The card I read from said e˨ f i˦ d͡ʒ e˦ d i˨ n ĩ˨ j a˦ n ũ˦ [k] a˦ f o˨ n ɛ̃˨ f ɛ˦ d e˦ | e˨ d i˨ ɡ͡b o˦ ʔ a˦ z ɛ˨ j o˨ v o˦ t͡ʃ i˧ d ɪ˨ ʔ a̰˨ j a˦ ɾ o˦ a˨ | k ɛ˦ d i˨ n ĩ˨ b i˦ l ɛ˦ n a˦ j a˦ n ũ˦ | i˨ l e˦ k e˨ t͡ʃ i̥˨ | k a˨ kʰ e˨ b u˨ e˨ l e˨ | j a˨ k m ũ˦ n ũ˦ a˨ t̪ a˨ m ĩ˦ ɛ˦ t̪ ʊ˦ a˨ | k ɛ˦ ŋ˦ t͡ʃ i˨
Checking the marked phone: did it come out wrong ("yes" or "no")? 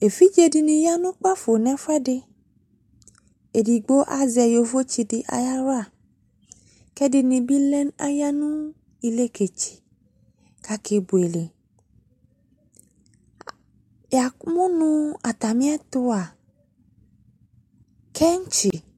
yes